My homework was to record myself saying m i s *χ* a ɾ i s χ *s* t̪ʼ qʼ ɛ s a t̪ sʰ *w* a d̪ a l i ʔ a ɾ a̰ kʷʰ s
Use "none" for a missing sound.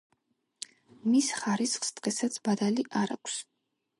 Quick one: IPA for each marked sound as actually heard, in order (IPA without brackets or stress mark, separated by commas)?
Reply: χ, s, b